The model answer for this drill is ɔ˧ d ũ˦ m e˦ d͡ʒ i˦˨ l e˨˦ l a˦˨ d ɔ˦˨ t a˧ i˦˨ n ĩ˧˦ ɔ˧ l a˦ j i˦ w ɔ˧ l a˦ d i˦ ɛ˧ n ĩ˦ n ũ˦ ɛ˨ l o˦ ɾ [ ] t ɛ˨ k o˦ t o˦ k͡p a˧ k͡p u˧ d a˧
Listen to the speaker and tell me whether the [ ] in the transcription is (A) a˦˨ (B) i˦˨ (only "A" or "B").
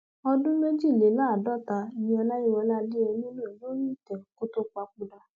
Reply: B